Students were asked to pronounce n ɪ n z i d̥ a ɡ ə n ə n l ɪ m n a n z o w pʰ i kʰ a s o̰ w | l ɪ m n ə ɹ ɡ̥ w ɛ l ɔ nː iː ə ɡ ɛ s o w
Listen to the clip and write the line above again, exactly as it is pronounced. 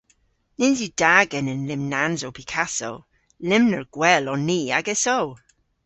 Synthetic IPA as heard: n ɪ n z i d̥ a ɡ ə n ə n l ɪ m n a n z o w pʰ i kʰ a s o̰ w | l ɪ m n ə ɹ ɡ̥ w ɛ l ɔ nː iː a ɡ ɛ s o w